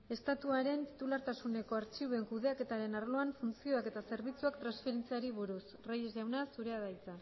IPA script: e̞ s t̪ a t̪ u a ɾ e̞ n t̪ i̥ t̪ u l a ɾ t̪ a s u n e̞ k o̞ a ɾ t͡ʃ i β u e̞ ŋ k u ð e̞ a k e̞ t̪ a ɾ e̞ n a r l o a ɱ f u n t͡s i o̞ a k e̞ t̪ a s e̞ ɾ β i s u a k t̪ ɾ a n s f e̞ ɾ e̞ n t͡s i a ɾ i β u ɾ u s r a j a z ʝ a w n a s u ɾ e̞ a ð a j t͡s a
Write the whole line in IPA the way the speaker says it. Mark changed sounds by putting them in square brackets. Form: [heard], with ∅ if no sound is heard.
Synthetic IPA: e̞ s t̪ a t̪ u a ɾ e̞ n t̪ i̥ t̪ u l a ɾ t̪ a s u n e̞ k o̞ a ɾ t͡ʃ i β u e̞ ŋ k u ð e̞ a k e̞ t̪ a ɾ e̞ n a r l o a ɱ f u n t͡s i o̞ a k e̞ t̪ a s e̞ ɾ β i [t͡s] u a k t̪ ɾ a n s f e̞ ɾ e̞ n t͡s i a ɾ i β u ɾ u s r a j [e] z ʝ a w n a s u ɾ e̞ a ð a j t͡s a